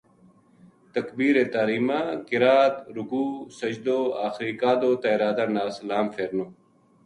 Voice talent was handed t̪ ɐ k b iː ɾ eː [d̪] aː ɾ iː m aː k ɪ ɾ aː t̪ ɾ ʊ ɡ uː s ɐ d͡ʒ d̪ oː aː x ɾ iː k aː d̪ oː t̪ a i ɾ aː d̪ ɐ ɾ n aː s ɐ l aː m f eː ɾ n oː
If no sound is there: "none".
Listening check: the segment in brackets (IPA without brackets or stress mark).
t̪